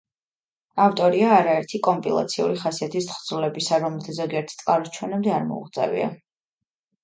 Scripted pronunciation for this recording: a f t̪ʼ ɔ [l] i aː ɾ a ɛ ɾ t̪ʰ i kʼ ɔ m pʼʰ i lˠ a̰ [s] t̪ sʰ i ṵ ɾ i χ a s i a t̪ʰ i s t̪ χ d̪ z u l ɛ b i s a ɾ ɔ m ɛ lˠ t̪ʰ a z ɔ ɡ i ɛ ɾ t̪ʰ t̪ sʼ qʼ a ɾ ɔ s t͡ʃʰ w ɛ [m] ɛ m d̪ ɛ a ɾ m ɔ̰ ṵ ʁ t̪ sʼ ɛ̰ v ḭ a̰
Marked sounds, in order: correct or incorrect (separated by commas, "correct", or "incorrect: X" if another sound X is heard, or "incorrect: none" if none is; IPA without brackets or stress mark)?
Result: incorrect: ɾ, incorrect: none, incorrect: n